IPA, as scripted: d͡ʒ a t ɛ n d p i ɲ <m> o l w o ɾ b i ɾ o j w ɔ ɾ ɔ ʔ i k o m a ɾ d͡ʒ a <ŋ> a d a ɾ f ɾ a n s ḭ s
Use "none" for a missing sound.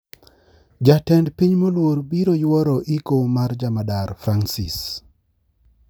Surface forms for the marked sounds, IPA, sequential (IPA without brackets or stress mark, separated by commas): m, m